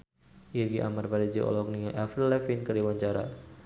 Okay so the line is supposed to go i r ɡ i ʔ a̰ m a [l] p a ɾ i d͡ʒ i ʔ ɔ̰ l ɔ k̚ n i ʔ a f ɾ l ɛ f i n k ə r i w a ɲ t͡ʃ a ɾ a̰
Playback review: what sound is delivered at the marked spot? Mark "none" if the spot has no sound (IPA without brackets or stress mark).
r